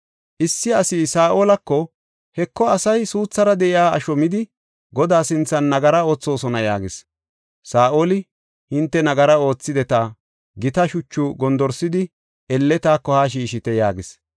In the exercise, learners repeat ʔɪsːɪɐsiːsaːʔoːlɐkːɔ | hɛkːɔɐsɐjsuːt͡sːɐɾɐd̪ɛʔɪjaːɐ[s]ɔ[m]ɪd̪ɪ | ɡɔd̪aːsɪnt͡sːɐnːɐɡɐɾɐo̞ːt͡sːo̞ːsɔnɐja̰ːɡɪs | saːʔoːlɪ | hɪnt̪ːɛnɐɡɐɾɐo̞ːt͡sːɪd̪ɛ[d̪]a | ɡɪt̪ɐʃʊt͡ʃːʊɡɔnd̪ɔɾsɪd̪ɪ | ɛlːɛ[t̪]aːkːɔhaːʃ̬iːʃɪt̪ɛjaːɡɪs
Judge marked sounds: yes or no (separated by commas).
no, yes, no, yes